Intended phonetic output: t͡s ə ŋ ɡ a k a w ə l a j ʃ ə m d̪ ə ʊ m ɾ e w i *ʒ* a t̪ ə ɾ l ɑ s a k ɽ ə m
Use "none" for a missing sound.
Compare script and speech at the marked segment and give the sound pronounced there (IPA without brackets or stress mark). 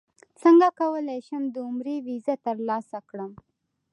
z